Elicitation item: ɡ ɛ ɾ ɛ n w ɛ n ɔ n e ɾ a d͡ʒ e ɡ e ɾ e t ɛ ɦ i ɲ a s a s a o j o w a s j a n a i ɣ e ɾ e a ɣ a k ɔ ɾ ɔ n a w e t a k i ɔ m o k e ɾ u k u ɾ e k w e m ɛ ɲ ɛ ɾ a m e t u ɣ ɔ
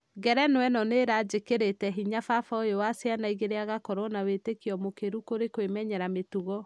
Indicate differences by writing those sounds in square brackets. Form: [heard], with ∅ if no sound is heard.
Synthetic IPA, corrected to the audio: ɡ ɛ ɾ ɛ n w ɛ n ɔ n e ɾ a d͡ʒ e [k] e ɾ e t ɛ ɦ i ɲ a [f] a [f] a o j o w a s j a n a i ɣ e ɾ e a ɣ a k ɔ ɾ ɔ n a w e t [e] k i ɔ m o k e ɾ u k [o] ɾ e k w e m ɛ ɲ ɛ ɾ a m e t u ɣ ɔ